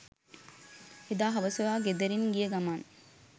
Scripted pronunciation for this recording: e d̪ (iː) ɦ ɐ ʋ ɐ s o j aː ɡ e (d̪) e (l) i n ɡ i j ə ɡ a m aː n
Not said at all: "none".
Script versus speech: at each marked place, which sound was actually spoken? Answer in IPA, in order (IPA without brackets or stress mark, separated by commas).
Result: aː, d̪, ɾ